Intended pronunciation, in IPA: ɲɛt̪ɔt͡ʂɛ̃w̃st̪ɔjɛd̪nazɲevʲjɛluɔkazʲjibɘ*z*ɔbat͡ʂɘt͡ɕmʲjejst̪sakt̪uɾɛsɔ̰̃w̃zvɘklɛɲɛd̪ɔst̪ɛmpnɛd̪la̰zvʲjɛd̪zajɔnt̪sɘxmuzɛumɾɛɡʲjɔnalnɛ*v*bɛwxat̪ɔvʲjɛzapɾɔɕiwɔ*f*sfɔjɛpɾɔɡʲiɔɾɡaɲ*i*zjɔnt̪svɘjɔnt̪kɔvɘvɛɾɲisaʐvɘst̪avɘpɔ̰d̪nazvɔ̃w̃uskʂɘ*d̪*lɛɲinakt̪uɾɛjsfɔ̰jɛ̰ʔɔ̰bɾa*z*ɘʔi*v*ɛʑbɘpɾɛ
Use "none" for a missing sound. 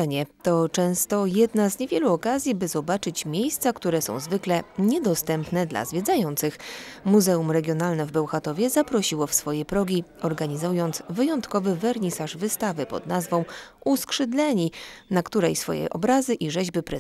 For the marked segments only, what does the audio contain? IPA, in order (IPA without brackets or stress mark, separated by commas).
z, v, f, i, d̪, z, ʐ